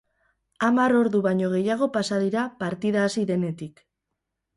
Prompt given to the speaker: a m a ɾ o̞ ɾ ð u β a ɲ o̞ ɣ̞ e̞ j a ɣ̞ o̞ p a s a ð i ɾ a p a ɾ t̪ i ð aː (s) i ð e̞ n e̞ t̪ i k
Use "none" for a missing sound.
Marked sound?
s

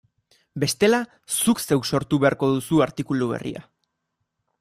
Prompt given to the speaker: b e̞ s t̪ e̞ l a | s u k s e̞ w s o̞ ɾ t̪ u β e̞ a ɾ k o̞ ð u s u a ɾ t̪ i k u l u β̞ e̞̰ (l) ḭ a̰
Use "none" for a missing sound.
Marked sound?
r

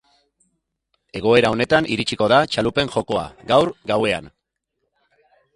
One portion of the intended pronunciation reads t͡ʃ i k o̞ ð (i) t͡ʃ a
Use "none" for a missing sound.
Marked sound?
a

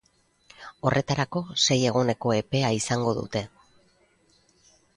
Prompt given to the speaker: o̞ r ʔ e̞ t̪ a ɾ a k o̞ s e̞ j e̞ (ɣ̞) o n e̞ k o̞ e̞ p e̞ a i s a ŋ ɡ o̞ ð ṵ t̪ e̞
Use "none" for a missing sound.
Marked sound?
ɣ̞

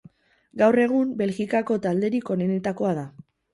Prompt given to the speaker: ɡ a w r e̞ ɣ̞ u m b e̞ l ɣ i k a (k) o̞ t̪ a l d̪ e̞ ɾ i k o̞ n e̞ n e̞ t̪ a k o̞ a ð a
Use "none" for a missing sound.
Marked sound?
k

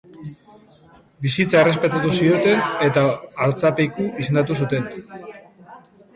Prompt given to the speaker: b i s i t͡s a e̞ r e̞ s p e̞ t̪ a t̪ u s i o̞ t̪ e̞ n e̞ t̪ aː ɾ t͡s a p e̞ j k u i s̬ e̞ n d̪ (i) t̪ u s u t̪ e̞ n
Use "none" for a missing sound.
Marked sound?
a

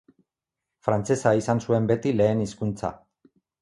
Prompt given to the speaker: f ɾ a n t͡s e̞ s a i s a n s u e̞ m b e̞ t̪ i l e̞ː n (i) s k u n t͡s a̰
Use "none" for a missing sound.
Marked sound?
i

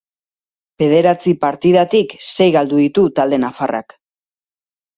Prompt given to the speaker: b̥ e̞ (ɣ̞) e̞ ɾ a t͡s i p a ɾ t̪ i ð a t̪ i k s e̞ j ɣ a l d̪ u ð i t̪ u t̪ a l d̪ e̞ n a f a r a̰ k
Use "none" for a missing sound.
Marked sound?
ð̞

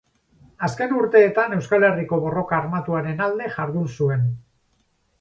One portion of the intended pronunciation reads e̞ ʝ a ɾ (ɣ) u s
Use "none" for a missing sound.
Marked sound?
ð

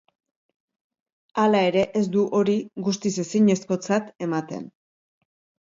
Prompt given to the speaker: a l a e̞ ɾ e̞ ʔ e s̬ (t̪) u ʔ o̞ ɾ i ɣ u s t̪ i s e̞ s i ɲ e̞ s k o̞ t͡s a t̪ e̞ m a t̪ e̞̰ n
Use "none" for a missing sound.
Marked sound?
d̪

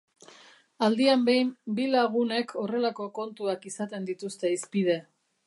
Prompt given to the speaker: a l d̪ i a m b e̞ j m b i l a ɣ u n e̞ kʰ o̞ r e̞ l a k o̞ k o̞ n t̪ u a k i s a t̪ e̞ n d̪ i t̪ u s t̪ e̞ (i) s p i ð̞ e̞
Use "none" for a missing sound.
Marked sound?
i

